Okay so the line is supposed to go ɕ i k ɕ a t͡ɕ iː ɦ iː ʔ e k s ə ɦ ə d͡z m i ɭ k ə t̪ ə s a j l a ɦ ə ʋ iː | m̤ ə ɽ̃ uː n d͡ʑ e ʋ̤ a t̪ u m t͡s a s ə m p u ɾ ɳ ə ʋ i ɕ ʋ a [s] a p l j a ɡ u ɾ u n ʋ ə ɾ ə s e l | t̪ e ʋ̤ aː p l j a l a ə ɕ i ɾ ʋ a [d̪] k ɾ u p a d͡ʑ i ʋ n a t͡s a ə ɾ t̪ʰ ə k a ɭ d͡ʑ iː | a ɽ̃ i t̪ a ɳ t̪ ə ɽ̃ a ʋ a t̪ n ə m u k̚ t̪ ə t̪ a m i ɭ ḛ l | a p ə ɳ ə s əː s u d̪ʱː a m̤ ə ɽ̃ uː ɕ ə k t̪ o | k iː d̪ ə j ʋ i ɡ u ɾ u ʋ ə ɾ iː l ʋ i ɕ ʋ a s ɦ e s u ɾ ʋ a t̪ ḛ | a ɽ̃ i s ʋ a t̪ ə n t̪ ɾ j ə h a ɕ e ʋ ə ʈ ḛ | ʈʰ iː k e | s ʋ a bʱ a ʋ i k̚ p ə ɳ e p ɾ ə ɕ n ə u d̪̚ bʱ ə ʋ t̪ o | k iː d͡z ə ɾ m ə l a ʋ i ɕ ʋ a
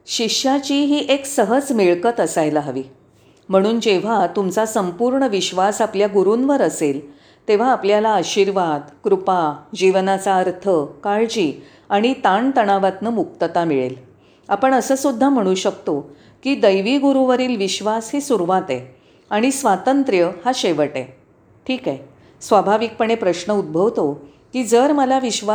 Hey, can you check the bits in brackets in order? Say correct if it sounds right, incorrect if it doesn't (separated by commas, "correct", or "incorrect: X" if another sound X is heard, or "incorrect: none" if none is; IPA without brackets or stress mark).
correct, correct